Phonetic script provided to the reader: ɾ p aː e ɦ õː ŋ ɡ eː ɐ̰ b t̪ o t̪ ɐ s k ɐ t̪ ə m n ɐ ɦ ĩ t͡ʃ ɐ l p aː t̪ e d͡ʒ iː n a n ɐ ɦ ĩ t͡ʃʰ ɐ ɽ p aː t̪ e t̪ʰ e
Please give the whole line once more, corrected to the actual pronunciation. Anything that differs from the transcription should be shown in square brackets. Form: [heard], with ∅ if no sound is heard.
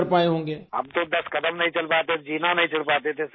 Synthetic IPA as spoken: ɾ p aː e ɦ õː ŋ ɡ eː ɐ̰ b t̪ o [d̪] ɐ s k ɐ [d̪] ə m n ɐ ɦ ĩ t͡ʃ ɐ l p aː t̪ e d͡ʒ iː n a n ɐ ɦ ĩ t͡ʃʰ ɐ ɽ p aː t̪ e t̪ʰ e